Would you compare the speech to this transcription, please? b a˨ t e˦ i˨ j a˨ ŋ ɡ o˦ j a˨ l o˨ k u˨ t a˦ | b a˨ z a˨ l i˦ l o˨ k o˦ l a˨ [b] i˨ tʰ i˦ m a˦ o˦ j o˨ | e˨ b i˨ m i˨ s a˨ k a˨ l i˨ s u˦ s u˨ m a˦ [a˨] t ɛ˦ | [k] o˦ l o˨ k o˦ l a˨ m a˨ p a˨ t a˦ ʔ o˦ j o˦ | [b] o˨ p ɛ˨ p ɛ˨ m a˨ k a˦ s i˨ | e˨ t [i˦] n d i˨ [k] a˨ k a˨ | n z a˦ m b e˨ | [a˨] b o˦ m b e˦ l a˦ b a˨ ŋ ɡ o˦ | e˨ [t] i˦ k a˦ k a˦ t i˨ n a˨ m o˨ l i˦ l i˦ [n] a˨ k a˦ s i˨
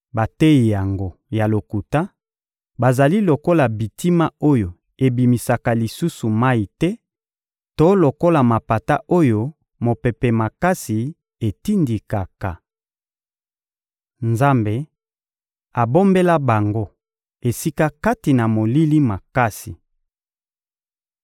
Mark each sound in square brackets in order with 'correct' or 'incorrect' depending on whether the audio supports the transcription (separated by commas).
correct, incorrect, incorrect, incorrect, correct, correct, correct, incorrect, incorrect